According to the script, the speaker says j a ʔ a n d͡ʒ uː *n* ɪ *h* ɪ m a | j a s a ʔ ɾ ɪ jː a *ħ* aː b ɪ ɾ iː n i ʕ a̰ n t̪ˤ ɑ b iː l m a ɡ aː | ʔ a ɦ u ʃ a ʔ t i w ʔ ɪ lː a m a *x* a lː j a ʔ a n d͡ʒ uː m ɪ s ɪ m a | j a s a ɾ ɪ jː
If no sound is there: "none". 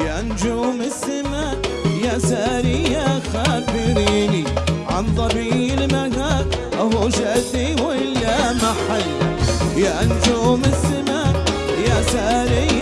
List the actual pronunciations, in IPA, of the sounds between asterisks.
m, s, x, ħ

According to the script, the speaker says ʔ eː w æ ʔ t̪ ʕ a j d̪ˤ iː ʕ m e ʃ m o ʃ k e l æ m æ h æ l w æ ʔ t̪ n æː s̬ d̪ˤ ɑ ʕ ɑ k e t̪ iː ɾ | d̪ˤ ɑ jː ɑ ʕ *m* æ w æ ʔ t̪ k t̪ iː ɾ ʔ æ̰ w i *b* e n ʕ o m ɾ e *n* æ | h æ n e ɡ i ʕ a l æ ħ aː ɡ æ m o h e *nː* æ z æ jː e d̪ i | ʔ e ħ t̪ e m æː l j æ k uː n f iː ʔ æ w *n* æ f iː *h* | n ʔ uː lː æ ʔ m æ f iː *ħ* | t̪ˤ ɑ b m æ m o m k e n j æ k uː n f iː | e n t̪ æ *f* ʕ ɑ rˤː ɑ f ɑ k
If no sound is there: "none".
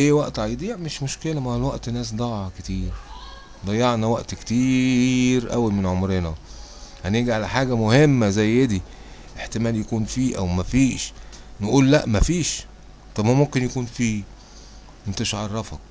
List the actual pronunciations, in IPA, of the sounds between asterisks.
n, m, n, mː, m, ʃ, ʃ, ʃ

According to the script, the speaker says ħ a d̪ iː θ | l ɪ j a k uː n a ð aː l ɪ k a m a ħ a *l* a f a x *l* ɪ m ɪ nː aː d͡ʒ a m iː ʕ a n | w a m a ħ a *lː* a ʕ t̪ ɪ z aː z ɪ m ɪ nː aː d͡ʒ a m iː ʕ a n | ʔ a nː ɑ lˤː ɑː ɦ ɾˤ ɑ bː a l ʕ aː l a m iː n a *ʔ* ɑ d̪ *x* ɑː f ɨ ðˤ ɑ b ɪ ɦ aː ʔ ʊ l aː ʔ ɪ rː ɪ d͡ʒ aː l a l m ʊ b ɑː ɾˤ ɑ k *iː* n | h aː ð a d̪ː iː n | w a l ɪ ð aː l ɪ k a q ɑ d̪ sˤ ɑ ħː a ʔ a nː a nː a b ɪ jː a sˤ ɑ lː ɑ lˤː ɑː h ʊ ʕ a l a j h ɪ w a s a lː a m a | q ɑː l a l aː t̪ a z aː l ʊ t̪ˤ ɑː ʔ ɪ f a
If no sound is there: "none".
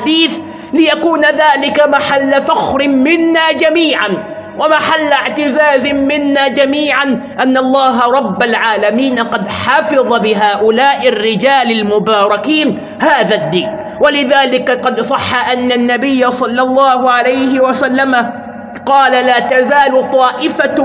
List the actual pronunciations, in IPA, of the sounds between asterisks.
lː, ɾ, lː, q, ħ, iː

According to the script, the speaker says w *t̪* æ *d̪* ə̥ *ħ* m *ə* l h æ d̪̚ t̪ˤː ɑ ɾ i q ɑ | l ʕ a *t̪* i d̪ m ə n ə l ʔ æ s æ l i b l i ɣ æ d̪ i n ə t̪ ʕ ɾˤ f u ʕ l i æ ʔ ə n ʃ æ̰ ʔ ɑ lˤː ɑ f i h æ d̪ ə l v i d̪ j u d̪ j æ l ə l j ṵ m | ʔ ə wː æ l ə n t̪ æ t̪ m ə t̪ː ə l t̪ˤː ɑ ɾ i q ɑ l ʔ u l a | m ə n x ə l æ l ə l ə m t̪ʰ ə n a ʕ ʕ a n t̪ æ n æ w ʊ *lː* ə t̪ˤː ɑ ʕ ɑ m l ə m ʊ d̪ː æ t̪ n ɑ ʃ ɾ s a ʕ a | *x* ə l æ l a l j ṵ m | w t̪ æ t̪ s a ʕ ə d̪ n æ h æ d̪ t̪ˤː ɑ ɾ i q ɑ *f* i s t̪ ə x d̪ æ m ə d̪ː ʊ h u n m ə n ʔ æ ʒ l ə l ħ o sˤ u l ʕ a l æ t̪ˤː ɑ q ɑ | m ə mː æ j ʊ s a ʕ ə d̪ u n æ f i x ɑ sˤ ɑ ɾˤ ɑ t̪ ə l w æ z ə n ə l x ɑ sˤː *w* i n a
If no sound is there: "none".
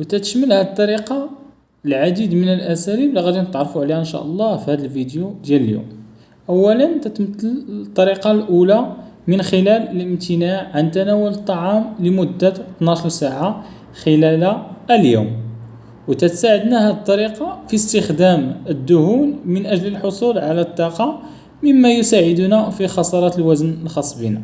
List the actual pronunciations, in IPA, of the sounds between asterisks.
t̪, t̪, ʃ, ə, d̪, l, x, f, b

